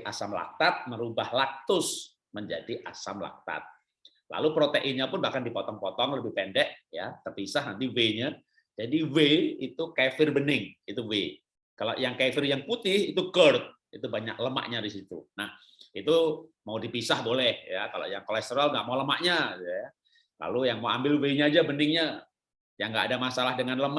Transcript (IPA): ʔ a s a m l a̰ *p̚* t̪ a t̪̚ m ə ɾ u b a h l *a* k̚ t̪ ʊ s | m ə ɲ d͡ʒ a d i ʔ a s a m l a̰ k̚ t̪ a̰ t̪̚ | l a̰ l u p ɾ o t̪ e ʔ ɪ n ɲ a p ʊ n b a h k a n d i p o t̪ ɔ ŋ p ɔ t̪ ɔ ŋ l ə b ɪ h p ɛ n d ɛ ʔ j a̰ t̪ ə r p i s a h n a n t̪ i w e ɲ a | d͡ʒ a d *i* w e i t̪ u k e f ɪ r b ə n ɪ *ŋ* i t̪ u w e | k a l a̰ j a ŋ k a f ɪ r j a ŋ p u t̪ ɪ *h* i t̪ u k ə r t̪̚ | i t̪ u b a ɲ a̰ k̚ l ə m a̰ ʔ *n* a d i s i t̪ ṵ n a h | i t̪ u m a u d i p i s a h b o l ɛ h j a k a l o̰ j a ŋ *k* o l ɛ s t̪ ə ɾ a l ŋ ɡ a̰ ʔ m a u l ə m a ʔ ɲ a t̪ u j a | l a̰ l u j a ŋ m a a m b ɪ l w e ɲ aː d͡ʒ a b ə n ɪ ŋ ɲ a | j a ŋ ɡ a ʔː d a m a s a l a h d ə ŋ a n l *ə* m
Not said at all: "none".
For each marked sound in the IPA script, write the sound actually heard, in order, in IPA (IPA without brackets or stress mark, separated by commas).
k̚, a, i, ŋ, h, ɲ, k, ə